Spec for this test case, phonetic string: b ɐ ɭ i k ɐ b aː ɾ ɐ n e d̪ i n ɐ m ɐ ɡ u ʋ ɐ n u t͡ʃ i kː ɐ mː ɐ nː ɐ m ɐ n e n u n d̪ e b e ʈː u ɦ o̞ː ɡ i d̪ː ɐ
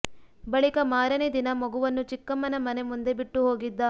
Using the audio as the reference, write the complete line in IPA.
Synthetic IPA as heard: b ɐ ɭ i k ɐ m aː ɾ ɐ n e d̪ i n ɐ m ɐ ɡ u ʋ ɐ nː u t͡ʃ i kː ɐ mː ɐ n ɐ m ɐ n e m u n d̪ e b i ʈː u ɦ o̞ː ɡ i d̪ː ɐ